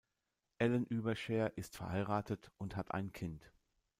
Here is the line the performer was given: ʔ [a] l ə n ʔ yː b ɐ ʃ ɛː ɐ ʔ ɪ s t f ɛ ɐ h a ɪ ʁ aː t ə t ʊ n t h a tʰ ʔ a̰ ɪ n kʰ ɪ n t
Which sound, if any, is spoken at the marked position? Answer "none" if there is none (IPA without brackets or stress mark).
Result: ɛ